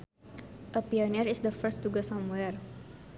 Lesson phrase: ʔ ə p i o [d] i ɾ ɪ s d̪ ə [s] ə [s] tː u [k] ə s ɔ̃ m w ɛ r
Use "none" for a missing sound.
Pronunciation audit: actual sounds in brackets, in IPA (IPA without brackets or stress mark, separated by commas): n, f, s, ɡ